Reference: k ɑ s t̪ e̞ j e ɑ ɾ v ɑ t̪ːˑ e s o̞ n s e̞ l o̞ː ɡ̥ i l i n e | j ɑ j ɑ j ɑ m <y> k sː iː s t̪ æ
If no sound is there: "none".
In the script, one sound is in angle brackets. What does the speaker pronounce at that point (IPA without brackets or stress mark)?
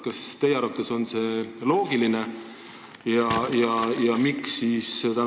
i